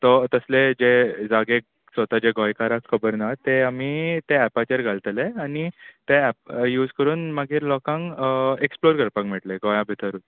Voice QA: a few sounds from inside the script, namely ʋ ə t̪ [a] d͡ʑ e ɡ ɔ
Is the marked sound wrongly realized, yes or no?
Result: no